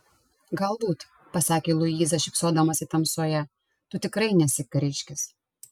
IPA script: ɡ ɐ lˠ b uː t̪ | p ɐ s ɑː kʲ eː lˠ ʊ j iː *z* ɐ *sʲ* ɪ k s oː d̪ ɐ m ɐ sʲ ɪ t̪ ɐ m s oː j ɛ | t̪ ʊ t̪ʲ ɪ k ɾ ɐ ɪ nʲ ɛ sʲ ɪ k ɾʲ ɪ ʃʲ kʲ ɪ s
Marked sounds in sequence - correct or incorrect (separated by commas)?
correct, incorrect